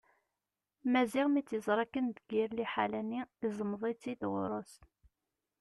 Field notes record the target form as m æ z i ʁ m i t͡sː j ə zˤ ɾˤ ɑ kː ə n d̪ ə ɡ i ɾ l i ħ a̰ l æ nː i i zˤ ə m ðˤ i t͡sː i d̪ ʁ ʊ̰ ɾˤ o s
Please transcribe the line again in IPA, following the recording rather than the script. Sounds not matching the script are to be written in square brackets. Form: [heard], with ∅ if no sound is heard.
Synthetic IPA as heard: m æ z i ʁ m i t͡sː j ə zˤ ɾˤ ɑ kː ə n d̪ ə ɡ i ɾ l i ħ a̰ l æ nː i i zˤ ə m ðˤ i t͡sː i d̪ ʁ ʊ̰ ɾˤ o s

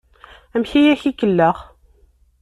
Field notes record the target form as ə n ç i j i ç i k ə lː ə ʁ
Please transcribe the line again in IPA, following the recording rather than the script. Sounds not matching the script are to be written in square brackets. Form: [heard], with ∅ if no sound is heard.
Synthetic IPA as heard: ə [m] ç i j [æ] ç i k ə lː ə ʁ

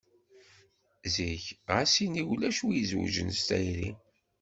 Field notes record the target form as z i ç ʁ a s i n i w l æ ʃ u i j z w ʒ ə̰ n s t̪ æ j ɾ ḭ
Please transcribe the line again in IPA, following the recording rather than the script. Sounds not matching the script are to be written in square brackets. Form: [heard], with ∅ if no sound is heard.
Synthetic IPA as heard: z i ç ʁ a s i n i w l æ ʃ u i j z w ʒ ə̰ n s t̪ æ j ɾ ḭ

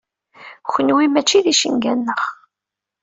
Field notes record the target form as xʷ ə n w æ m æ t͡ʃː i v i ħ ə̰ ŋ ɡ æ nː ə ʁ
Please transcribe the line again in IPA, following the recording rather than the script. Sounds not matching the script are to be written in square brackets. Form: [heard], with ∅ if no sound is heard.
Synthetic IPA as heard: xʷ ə n w [i] m æ t͡ʃː i [ð] i [ʃ] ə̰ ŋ ɡ æ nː ə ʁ

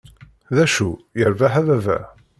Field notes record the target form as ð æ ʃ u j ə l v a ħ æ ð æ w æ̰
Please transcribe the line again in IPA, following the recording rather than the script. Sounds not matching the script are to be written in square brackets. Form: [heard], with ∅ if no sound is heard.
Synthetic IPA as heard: ð æ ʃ u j ə [ɾ] v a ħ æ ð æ [v] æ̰

